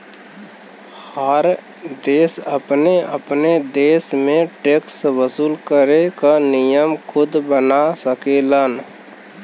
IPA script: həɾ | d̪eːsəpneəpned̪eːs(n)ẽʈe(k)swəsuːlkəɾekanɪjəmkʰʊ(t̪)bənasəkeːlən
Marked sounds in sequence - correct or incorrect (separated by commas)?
incorrect, correct, incorrect